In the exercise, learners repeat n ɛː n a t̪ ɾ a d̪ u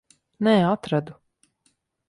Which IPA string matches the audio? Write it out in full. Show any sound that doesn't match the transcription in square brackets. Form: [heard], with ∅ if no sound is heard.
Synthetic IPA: n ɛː [∅] a t̪ ɾ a d̪ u